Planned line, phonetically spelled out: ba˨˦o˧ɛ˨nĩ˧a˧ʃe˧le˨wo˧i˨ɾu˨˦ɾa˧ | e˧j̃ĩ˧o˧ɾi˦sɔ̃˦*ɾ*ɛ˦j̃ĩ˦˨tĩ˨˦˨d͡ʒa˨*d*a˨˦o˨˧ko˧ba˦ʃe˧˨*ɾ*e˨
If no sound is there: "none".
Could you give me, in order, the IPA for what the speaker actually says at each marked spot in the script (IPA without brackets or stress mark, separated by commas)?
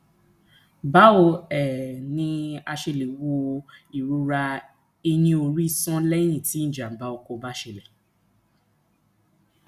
l, b, l